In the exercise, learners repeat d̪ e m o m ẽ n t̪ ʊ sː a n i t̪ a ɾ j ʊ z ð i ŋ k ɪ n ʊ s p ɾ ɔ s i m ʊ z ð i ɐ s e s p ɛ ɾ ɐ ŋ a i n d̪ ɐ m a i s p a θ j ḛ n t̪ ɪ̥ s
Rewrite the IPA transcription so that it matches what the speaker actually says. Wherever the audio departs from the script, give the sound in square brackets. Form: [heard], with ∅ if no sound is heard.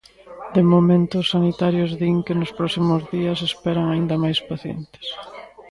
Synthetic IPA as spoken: d̪ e m o m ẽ n t̪ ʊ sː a n i t̪ a ɾ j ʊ z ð i ŋ k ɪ n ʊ s p ɾ ɔ s i m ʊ z ð i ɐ s e s p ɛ ɾ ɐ ŋ a i n d̪ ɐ m a [j] s p a θ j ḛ n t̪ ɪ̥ s